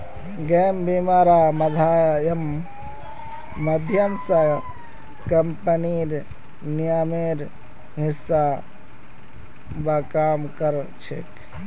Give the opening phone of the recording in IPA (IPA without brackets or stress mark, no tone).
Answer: ɡ